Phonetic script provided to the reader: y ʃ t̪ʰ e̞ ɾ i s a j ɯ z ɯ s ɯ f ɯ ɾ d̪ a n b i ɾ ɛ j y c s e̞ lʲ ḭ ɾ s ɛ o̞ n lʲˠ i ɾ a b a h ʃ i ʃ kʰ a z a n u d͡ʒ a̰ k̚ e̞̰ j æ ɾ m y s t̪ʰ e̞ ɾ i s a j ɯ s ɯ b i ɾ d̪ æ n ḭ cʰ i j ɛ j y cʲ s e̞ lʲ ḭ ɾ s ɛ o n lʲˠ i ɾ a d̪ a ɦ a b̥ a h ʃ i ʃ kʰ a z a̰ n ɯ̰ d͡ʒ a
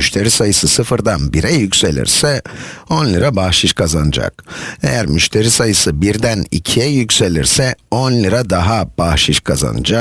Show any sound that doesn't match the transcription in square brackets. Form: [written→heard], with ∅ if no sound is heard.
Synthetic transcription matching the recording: y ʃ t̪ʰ e̞ ɾ i s a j ɯ [z→s] ɯ s ɯ f ɯ ɾ d̪ a n b i ɾ ɛ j y c s e̞ lʲ ḭ ɾ s ɛ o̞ n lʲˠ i ɾ a b a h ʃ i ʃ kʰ a z a n [u→ɯ] d͡ʒ a̰ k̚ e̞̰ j æ ɾ m y [s→ʃ] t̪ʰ e̞ ɾ i s a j ɯ s ɯ b i ɾ d̪ æ n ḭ cʰ i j ɛ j y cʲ s e̞ lʲ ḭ ɾ s ɛ o n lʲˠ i ɾ a d̪ a ɦ a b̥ a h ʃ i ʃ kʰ a z a̰ n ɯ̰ d͡ʒ a